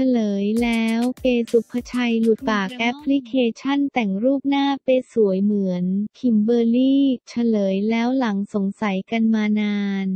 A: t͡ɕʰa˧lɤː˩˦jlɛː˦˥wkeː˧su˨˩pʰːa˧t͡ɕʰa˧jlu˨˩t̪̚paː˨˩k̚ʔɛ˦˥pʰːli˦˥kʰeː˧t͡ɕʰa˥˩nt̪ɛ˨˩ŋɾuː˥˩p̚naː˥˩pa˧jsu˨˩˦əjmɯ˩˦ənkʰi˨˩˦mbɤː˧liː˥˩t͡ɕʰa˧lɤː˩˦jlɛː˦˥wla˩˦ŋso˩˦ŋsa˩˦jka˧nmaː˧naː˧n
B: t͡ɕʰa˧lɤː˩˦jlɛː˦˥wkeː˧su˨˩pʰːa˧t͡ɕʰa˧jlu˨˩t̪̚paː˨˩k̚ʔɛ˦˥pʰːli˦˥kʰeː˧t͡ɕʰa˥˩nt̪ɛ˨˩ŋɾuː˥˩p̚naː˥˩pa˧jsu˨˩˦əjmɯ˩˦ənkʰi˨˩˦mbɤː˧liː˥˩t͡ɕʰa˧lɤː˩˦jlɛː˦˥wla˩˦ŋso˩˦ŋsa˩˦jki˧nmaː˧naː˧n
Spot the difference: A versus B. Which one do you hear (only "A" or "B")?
A